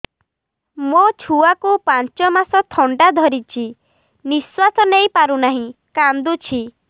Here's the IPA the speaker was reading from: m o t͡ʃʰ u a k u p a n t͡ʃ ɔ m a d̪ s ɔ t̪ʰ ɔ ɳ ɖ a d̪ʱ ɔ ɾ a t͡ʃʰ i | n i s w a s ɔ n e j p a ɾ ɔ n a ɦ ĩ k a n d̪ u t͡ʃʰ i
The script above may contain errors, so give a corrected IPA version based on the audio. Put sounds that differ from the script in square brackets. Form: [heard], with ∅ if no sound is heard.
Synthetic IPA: m o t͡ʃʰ u a k u p a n t͡ʃ ɔ m a [∅] s ɔ t̪ʰ ɔ ɳ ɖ a d̪ʱ ɔ ɾ [i] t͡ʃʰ i | n i s w a s ɔ n e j p a ɾ [u] n a ɦ ĩ k a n d̪ u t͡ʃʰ i